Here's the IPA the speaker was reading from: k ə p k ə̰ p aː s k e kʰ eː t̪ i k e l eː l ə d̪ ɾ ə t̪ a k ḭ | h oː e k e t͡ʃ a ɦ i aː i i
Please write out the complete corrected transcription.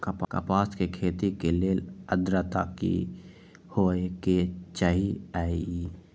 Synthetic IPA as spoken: k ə p k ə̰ p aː s k e kʰ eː t̪ i k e l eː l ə d̪ ɾ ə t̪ a k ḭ | h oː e k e t͡ʃ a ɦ i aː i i